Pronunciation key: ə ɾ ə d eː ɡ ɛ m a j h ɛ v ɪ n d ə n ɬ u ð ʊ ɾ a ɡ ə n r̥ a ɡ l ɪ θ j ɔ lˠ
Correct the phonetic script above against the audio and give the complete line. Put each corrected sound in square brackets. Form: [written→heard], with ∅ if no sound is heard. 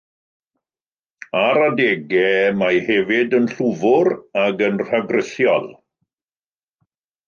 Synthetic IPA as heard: [ə→a] ɾ [ə→a] d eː ɡ ɛ m a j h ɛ v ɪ [n→∅] d ə n ɬ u [ð→v] ʊ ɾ a ɡ ə n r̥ a ɡ [l→r] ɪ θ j ɔ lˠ